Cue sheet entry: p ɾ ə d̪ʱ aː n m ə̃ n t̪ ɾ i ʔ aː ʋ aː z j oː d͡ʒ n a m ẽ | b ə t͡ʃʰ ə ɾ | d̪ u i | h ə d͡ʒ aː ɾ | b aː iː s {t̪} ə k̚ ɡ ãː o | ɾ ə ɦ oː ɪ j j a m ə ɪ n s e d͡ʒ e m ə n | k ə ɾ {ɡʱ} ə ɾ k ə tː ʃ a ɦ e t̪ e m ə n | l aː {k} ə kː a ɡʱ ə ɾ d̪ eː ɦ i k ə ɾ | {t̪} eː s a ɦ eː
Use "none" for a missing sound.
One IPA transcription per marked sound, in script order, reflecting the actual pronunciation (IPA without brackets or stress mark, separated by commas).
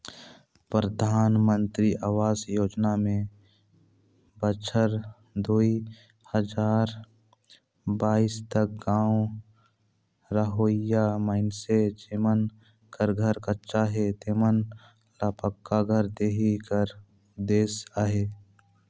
t̪, ɡʱ, p, d̪